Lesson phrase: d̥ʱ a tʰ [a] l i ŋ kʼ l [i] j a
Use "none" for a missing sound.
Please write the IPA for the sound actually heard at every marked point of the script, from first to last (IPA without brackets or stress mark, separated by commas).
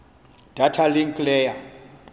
a, ɛ